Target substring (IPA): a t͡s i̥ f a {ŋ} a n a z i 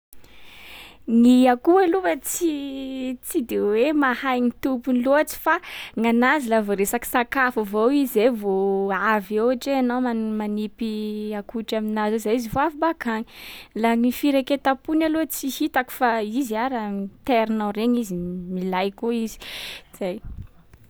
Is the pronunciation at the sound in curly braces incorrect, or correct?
correct